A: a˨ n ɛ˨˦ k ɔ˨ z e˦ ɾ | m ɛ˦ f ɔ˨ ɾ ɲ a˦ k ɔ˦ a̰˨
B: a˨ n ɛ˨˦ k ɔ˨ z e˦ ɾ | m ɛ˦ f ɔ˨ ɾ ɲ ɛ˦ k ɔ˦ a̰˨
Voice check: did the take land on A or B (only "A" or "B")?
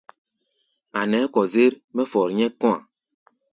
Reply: B